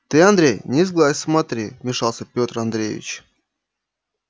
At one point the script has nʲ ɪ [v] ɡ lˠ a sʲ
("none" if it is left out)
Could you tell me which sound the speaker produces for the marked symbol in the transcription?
z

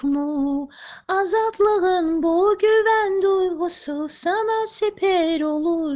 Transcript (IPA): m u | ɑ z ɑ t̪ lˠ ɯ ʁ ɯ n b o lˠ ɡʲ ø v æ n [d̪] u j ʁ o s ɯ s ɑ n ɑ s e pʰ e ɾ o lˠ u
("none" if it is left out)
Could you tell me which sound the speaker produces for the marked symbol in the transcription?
d̪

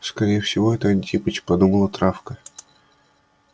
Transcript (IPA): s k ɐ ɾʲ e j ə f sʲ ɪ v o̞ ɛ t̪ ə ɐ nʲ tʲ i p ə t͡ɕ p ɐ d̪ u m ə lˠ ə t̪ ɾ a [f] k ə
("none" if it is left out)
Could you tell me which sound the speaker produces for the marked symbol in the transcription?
f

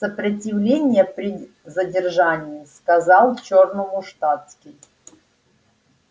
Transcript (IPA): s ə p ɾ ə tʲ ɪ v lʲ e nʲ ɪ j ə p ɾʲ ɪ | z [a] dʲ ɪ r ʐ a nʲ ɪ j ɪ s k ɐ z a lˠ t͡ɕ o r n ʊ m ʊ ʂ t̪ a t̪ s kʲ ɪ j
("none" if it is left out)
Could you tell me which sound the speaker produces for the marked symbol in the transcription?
ə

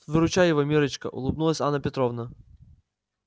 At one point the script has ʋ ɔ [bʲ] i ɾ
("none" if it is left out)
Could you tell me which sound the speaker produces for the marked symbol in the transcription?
mʲ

